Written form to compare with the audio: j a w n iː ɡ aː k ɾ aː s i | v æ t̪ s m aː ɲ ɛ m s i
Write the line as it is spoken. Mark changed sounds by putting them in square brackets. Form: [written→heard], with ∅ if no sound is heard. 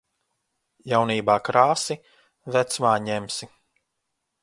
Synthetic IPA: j a w n iː [ɡ→b] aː k ɾ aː s i | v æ t̪ s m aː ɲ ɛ m s i